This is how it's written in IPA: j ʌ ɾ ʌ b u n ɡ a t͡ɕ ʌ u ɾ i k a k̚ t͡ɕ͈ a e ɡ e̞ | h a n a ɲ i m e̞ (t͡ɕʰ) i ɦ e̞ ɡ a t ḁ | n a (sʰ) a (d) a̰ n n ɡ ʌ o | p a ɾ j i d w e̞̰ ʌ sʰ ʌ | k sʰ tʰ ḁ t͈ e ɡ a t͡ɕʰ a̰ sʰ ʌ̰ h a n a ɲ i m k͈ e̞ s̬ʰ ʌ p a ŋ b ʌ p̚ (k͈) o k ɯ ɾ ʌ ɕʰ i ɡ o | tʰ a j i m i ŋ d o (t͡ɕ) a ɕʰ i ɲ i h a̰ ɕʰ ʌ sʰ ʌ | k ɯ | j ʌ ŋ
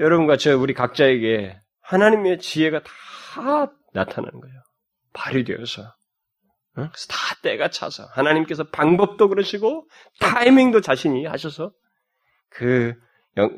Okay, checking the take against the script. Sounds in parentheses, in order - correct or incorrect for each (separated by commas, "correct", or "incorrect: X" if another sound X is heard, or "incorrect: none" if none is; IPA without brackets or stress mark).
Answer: incorrect: t͡ɕ, incorrect: tʰ, incorrect: n, incorrect: t͈, correct